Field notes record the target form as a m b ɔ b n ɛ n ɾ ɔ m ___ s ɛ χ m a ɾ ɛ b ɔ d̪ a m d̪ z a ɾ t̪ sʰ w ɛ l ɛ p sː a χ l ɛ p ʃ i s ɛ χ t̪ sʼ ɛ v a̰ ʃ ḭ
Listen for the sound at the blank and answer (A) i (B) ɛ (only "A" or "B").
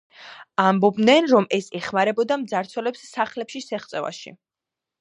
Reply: B